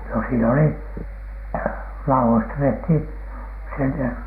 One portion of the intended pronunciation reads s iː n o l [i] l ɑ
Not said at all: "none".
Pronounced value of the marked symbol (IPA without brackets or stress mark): i